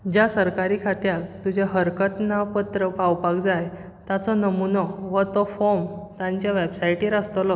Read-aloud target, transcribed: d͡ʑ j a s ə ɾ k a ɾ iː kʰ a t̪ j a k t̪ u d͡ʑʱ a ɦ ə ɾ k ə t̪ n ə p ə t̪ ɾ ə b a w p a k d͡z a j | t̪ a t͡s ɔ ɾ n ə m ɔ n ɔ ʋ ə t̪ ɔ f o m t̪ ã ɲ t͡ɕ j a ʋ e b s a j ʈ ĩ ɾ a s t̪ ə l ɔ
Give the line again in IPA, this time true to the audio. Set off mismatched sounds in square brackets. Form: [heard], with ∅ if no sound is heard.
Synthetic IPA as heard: d͡ʑ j a s ə ɾ k a ɾ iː kʰ a t̪ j a k t̪ u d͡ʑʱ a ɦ ə ɾ k ə t̪ n [a] p ə t̪ ɾ ə [p] a w p a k d͡z a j | t̪ a t͡s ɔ [∅] n ə m [u] n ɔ ʋ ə t̪ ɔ f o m t̪ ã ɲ t͡ɕ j a ʋ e b s a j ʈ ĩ ɾ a s t̪ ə l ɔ